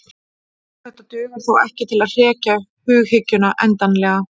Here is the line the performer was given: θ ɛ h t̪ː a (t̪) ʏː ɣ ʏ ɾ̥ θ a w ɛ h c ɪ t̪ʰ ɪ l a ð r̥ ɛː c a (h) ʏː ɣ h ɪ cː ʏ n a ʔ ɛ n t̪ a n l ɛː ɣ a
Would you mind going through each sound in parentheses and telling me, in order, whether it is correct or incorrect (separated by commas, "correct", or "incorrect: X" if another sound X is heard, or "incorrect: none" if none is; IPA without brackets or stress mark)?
correct, correct